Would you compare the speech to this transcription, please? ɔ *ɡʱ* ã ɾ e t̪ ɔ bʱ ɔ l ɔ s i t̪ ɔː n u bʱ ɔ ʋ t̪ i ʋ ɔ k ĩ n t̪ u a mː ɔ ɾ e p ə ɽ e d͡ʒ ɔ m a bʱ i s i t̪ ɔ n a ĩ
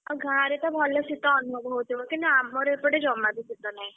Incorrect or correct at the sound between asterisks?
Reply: correct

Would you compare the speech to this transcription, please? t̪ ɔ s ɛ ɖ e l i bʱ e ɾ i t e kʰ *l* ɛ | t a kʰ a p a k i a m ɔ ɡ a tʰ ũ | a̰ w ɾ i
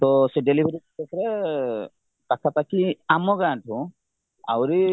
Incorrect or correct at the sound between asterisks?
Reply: incorrect: ɾ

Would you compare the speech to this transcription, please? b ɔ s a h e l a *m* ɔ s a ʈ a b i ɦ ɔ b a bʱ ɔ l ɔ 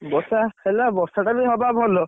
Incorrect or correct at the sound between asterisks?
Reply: incorrect: b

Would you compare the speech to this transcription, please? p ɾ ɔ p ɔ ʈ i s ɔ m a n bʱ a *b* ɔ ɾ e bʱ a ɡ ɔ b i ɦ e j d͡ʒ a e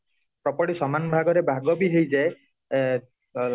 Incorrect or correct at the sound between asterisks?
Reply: incorrect: ɡ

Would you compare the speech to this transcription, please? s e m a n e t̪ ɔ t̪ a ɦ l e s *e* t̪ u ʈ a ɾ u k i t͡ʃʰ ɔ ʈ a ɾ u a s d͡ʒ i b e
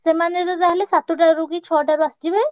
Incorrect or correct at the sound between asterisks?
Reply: incorrect: a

